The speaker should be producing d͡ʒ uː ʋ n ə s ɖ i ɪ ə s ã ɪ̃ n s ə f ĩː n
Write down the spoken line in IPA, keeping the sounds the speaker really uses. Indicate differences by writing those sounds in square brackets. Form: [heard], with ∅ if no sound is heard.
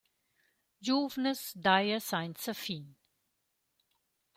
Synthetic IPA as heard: d͡ʒ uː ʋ n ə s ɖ [a] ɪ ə s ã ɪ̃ n s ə f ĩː n

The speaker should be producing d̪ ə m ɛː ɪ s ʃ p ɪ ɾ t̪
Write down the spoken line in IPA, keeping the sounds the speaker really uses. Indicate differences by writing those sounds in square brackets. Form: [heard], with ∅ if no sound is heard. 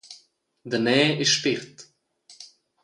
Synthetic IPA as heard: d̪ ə [n] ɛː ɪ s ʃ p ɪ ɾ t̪

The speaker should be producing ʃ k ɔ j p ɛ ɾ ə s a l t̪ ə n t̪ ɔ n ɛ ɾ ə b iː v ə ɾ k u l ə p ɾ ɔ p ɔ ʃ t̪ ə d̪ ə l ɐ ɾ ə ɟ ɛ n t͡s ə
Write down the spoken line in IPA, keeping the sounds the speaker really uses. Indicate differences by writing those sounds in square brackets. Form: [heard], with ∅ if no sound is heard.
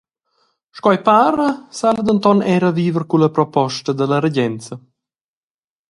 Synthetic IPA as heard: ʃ k ɔ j p [a] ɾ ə s a l [d̪] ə n t̪ ɔ n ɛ ɾ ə [v] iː v ə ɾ k u l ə p ɾ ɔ p ɔ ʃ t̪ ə d̪ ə l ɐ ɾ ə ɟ ɛ n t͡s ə

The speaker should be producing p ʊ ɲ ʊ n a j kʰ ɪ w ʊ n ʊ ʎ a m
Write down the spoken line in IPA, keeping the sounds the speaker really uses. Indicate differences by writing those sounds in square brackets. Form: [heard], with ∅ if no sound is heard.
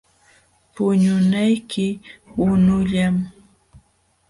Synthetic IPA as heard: p ʊ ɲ ʊ n a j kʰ ɪ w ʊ n ʊ ʎ a m

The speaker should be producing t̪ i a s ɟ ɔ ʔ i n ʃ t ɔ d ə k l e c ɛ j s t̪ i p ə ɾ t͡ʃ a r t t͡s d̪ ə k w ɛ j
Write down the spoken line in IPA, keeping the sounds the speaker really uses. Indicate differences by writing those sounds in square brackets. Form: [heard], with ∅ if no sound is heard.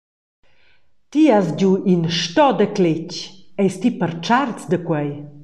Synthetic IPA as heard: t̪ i a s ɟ [u] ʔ i n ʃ t ɔ d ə k l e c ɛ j s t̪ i p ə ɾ t͡ʃ a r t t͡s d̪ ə k w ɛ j

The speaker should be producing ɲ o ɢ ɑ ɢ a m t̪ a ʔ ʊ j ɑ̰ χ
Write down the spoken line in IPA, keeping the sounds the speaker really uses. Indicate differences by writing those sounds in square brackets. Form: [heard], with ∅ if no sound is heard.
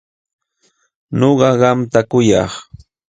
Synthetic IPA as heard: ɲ o ɢ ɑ ɢ [ɑ] m t̪ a [k] ʊ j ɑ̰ χ

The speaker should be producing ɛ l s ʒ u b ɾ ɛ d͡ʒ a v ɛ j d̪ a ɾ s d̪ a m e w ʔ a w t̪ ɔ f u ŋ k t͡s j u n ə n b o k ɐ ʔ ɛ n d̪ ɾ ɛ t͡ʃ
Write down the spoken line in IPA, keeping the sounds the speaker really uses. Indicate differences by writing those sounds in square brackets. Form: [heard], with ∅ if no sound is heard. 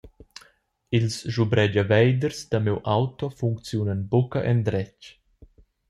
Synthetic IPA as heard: [i] l s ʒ u b ɾ ɛ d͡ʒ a v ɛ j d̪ [ə] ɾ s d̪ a m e w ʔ a w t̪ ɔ f u ŋ k t͡s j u n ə n b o k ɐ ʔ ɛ n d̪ ɾ ɛ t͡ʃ

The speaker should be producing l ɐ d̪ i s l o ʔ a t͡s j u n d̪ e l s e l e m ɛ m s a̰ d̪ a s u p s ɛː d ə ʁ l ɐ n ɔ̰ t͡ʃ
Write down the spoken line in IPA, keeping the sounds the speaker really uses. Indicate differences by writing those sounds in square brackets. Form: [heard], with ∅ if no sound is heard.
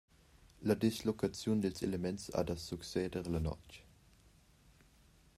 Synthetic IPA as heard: l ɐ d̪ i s l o [k] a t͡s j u n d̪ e l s e l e m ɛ [n] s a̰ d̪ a s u [k] s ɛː d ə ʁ l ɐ n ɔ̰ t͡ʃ

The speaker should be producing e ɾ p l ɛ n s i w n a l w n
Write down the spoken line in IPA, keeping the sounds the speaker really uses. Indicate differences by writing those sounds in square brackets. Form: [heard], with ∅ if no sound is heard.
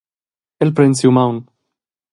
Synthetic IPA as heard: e [l] p [ɾ] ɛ n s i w [m] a [∅] w n

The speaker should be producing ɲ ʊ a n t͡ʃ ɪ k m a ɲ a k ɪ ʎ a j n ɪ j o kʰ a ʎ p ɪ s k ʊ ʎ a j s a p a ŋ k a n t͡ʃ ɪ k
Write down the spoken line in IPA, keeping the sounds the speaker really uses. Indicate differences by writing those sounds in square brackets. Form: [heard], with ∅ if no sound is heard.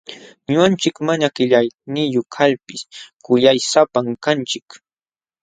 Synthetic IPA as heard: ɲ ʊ a n t͡ʃ ɪ k m a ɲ a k ɪ ʎ a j n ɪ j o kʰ a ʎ p ɪ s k ʊ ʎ a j s a p a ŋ k a n t͡ʃ ɪ k

